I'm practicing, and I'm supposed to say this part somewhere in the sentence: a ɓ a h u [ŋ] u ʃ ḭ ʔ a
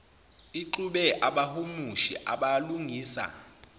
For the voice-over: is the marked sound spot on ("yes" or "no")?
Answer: no